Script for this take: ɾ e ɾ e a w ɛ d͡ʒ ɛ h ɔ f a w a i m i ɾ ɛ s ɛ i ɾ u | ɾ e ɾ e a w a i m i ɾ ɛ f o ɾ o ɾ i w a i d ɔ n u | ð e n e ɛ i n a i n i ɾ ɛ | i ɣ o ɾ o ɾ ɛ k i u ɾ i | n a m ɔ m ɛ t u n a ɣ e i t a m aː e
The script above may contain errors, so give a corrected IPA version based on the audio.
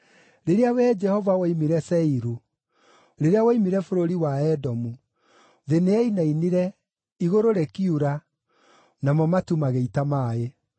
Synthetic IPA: ɾ e ɾ e a w ɛ d͡ʒ ɛ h ɔ v a w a i m i ɾ ɛ s ɛ i ɾ u | ɾ e ɾ e a w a i m i ɾ ɛ f o ɾ o ɾ i w a ɛ d ɔ m u | ð e n e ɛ i n a i n i ɾ ɛ | i ɣ o ɾ o ɾ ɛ k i u ɾ a | n a m ɔ m a t u m a ɣ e i t a m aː e

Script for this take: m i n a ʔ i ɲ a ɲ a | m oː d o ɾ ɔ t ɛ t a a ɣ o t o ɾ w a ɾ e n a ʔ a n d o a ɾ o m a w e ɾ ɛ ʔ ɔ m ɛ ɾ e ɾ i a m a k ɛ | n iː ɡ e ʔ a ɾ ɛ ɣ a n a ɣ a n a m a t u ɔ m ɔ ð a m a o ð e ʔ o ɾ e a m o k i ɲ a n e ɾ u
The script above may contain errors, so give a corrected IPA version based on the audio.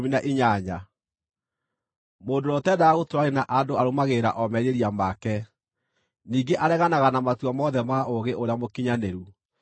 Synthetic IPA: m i n a ʔ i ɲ a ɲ a | m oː d o ɾ ɔ t ɛ d a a ɣ o t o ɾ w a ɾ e n a ʔ a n d o a ɾ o m a ɣ e ɾ a ʔ ɔ m ɛ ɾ e ɾ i a m a k ɛ | n iː ɡ e ʔ a ɾ ɛ ɣ a n a ɣ a n a m a t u ɔ m ɔ ð ɛ m a o ɣ e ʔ o ɾ e a m o k i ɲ a n e ɾ u

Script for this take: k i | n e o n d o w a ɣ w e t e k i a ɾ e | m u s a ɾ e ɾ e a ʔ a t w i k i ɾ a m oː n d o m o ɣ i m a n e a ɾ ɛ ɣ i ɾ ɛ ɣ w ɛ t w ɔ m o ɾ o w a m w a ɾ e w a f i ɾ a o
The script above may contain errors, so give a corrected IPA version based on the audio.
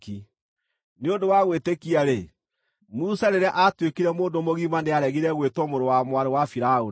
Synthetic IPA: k i | n e o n d o w a ɣ w e t e k i a ɾ e | m u s a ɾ e ɾ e a ʔ a t w e k i ɾ ɛ m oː n d o m o ɣ i m a n e a ɾ ɛ ɣ i ɾ ɛ ɣ w e t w ɔ m o ɾ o w a m w a ɾ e w a f i ɾ a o

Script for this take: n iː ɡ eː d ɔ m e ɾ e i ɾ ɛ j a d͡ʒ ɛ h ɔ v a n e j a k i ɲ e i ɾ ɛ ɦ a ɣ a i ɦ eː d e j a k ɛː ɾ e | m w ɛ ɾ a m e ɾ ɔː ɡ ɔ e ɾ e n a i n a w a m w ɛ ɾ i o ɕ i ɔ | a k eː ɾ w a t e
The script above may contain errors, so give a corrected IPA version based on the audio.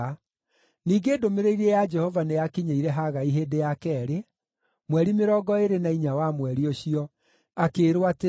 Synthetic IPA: n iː ɡ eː d o m e ɾ e i ɾ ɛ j a d͡ʒ ɛ h ɔ v a n e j a k i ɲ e i ɾ ɛ ɦ a ɣ a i ɦ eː d e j a k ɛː ɾ e | m w ɛ ɾ i m e ɾ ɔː ɡ ɔ e ɾ e n a i ɲ a w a m w ɛ ɾ i o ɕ i ɔ | a k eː ɾ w a t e

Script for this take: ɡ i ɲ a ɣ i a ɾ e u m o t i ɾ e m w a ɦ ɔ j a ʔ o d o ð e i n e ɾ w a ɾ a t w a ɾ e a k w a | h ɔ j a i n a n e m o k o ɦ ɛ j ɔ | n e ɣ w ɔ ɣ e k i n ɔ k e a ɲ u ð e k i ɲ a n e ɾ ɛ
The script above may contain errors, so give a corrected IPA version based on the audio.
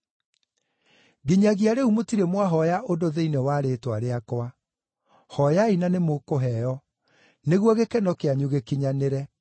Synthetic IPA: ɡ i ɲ a ɣ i a ɾ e u m o t i ɾ e m w a ɦ ɔ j a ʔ o d o ð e i n e w a ɾ e t w a ɾ e a k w a | h ɔ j a i n a n e m o k o ɦ ɛ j ɔ | n e ɣ w ɔ ɣ e k ɛ n ɔ k e a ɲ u ɣ e k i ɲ a n e ɾ ɛ

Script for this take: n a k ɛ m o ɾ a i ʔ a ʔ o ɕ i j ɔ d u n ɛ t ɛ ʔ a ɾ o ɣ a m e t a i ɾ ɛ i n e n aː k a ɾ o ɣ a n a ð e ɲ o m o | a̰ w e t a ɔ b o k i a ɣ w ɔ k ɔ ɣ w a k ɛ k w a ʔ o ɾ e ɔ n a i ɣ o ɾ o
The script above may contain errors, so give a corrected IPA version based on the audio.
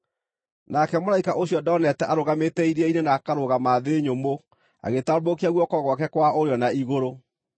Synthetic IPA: n a k ɛ m o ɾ a i k a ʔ o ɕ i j ɔ d ɔ n ɛ t ɛ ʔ a ɾ o ɣ a m e t ɛ i ɾ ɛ i n e n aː k a ɾ o ɣ a m a ð e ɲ o m o | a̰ ɣ e t a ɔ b o k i a ɣ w ɔ k ɔ ɣ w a k ɛ k w a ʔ o ɾ e ɔ n a i ɣ o ɾ o

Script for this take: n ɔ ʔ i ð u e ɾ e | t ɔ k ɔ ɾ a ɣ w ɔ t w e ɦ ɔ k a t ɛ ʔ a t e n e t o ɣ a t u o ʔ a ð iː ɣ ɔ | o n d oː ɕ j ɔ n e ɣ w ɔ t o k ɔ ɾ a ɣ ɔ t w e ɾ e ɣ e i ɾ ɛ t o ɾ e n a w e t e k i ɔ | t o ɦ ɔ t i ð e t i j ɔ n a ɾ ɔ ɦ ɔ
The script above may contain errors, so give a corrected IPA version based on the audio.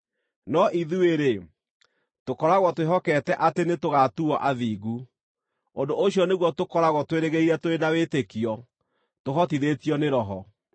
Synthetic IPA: n ɔ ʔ i ð u e ɾ e | t o k ɔ ɾ a ɣ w ɔ t w e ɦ ɔ k ɛ t ɛ ʔ a t e n e t o ɣ a t u ɔ ʔ a ð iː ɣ u | o n d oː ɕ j ɔ n e ɣ w ɔ t o k ɔ ɾ a ɣ ɔ t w e ɾ e ɣ e i ɾ ɛ t o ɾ e n a w e t e k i ɔ | t o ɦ ɔ t i ð e t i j ɔ n e ɾ ɔ ɦ ɔ

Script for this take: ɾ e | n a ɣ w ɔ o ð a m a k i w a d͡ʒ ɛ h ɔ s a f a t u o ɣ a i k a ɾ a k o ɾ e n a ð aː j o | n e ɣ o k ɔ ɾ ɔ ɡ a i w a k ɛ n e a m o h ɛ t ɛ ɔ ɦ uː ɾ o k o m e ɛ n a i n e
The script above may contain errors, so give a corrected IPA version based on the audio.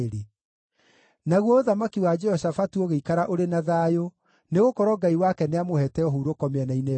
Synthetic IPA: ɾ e | n a ɣ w ɔ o ð a m a k i w a d͡ʒ ɛ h ɔ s a f a t u o ɣ e i k a ɾ a ʔ o ɾ e n a ð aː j o | n e ɣ o k ɔ ɾ ɔ ɡ a i w a k ɛ n e a m o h ɛ t ɛ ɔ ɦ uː ɾ o k ɔ m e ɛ n a i n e

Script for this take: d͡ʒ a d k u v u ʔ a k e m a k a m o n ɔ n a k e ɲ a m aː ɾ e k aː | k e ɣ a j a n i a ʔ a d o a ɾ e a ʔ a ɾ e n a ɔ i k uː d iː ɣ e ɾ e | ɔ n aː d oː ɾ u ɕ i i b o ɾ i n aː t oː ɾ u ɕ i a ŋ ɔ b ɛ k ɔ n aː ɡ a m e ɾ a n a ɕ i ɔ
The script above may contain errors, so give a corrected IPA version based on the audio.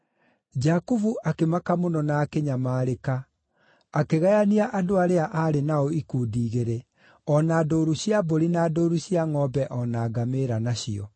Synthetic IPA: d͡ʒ a k u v u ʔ a k e m a k a m o n ɔ n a k e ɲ a m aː ɾ e k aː | k e ɣ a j a n i a ʔ a d o a ɾ e a ʔ a ɾ e n a ɔ i k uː d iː ɣ e ɾ e | ɔ n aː d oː ɾ u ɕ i a b o ɾ i n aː d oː ɾ u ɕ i a ŋ ɔ b ɛ ʔ ɔ n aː ɡ a m e ɾ a n a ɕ i ɔ

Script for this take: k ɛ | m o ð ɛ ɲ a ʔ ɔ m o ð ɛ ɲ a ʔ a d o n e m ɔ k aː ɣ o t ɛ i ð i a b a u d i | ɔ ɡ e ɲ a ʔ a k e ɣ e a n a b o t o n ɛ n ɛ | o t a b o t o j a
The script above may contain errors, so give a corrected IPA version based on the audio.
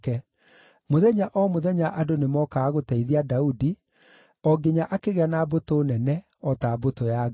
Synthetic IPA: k ɛ | m o ð ɛ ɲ a ʔ ɔ m o ð ɛ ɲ a ʔ a d o n e m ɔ k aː ɣ o t ɛ i ð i a d a u d i | ɔ ɡ e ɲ a ʔ a k e ɣ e a n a b o t o n ɛ n ɛ | ɔ t a b o t o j a

